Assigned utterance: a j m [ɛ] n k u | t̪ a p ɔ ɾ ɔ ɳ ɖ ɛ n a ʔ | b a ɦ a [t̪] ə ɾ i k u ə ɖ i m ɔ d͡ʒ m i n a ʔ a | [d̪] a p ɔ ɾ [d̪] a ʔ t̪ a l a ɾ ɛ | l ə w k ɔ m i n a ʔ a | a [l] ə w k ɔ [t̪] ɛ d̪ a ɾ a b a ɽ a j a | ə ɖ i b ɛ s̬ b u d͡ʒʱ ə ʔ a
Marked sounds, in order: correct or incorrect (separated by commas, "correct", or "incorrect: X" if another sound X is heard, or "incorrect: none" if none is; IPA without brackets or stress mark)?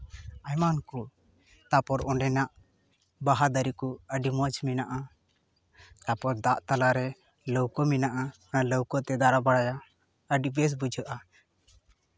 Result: incorrect: a, incorrect: d̪, incorrect: t̪, correct, correct, correct